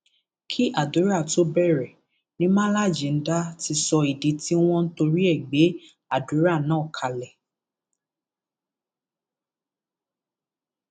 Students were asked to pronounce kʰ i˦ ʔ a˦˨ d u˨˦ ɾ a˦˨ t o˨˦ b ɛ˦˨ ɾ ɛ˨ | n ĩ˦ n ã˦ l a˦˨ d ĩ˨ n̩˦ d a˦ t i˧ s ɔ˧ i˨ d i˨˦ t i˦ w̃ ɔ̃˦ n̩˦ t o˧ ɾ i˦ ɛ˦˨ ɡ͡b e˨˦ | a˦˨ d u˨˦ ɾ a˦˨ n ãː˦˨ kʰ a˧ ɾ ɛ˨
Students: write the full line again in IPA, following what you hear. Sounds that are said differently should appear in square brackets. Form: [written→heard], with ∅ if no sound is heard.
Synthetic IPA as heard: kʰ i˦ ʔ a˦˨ d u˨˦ ɾ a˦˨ t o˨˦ b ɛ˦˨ ɾ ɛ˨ | n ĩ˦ [n→m] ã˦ l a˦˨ [d→d͡ʒ] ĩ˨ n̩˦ d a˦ t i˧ s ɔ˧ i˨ d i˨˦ t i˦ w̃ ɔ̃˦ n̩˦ t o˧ ɾ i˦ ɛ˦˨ ɡ͡b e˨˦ | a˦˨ d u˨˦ ɾ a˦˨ n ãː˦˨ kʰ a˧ [ɾ→l] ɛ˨

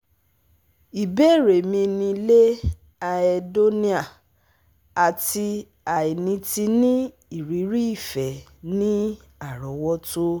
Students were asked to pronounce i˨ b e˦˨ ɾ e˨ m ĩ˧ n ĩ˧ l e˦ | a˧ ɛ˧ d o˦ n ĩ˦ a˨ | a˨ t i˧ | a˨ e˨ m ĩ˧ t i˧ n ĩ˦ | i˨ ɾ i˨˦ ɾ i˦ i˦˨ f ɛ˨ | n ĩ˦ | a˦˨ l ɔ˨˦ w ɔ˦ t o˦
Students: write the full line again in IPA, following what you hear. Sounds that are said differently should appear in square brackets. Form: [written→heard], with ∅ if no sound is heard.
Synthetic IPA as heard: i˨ b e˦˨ ɾ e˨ m ĩ˧ n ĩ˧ l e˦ | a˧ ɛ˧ d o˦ n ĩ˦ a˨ | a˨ t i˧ | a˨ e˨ [m→n] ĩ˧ t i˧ n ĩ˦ | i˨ ɾ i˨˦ ɾ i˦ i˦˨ f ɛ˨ | n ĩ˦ | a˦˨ [l→ɾ] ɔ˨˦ w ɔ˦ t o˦

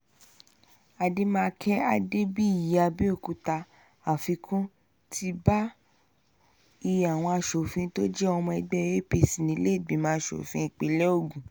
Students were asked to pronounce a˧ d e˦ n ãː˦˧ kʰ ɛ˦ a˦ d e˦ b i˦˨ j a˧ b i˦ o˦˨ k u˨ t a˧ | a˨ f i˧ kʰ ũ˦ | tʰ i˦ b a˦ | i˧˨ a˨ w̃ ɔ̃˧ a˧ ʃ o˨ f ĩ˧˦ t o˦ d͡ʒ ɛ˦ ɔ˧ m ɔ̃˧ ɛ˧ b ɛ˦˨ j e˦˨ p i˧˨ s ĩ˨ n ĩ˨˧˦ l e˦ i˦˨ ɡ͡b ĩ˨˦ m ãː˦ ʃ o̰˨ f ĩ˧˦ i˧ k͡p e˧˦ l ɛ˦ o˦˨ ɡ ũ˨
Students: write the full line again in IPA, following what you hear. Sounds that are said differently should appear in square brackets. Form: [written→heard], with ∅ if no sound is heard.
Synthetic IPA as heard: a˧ d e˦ [n→m] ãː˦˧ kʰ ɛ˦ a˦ d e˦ b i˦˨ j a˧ b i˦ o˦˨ k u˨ t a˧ | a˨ f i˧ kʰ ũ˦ | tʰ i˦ b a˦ | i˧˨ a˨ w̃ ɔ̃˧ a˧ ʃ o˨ f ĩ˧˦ t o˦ d͡ʒ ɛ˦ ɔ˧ m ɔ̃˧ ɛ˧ [b→ɡ͡b] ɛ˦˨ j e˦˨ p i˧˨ s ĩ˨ n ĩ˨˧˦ l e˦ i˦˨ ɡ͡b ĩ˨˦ m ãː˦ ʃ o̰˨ f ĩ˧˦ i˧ k͡p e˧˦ l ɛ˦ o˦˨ ɡ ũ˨

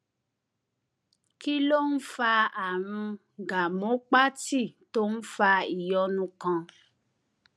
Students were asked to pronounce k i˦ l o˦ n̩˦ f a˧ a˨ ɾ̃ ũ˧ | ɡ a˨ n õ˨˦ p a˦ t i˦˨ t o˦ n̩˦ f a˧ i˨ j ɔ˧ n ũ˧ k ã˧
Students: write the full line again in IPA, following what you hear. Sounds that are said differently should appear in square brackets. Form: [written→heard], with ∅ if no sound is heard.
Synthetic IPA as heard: k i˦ l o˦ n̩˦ f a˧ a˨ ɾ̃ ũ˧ | ɡ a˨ [n→m] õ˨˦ [p→k͡p] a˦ t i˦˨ t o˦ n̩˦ f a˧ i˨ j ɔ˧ n ũ˧ k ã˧

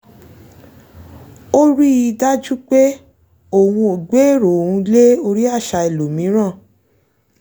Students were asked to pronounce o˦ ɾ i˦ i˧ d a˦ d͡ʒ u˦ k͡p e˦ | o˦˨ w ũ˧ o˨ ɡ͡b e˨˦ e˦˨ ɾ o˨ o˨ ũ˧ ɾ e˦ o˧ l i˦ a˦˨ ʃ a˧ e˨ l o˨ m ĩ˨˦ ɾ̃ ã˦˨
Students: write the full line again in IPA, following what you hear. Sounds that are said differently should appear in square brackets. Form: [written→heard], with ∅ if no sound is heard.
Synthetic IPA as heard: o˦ ɾ i˦ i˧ d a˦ d͡ʒ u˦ k͡p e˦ | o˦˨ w ũ˧ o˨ ɡ͡b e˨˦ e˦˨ ɾ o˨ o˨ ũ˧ [ɾ→l] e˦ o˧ [l→ɾ] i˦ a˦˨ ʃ a˧ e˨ l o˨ m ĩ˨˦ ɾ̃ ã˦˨

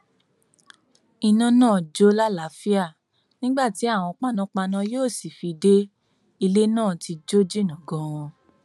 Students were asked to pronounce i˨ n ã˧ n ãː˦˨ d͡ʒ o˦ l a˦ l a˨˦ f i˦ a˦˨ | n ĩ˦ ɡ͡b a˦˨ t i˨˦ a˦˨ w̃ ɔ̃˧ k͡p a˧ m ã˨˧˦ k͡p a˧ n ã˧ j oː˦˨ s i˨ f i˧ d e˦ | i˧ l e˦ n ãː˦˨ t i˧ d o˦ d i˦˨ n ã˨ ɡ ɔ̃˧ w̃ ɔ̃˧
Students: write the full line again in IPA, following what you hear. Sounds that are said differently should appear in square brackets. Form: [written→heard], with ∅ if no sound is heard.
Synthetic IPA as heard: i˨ n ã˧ n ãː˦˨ d͡ʒ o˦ l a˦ l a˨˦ f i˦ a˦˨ | n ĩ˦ ɡ͡b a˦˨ t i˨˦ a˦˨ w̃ ɔ̃˧ k͡p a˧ [m→n] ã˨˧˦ k͡p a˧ n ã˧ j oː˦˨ s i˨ f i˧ d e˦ | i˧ l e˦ n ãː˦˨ t i˧ [d→d͡ʒ] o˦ [d→d͡ʒ] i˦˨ n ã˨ ɡ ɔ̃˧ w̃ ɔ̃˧

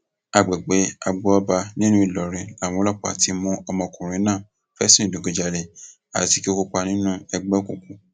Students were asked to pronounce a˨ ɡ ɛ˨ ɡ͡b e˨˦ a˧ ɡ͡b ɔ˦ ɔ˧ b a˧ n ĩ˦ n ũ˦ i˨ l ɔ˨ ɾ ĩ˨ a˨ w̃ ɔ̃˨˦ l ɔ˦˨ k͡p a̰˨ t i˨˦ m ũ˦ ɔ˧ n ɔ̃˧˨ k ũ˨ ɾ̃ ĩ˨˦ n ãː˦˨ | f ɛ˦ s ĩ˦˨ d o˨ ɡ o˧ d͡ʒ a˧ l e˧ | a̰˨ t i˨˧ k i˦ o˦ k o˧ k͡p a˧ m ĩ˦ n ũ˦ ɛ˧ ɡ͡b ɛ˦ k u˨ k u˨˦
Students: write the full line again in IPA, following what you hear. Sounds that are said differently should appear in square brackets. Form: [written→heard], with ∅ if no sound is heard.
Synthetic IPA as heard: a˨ [ɡ→ɡ͡b] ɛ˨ ɡ͡b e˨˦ a˧ ɡ͡b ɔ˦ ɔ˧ b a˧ n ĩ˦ n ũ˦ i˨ l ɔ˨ ɾ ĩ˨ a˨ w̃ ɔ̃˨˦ l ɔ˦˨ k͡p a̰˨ t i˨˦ m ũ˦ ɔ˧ [n→m] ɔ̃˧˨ k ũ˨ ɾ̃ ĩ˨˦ n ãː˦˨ | f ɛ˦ s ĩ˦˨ d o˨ ɡ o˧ d͡ʒ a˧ l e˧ | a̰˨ t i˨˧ k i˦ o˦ k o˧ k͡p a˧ [m→n] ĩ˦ n ũ˦ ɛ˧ ɡ͡b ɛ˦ k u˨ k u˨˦

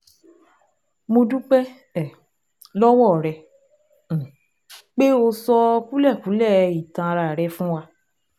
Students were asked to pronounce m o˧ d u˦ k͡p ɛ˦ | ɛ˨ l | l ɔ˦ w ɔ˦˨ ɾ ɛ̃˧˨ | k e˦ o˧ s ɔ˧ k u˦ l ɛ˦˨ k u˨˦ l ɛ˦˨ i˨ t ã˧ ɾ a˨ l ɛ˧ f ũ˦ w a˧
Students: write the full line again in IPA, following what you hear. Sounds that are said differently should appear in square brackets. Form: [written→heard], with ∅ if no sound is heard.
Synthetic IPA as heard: m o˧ d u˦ k͡p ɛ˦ | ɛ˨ [l→∅] | l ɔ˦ w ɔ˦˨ ɾ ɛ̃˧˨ | [k→k͡p] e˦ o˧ s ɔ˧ k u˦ l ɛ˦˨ k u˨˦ l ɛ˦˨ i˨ t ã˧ ɾ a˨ [l→ɾ] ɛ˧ f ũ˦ w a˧

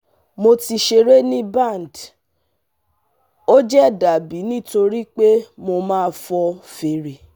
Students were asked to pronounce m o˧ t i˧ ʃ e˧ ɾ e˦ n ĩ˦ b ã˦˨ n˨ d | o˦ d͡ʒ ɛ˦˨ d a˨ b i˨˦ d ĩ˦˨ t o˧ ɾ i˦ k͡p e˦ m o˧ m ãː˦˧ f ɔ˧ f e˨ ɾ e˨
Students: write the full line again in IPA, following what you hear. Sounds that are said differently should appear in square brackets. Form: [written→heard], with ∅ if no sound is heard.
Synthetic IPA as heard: m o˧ t i˧ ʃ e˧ ɾ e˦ n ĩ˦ b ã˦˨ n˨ d | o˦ d͡ʒ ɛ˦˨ d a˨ b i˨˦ [d→n] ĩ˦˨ t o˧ ɾ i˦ k͡p e˦ m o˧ m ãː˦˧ f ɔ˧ f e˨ ɾ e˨

